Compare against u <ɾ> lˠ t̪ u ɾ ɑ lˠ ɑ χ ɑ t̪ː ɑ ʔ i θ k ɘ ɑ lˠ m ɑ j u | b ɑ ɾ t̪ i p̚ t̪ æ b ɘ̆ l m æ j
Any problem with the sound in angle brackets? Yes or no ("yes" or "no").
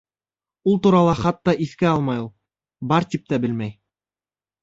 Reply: yes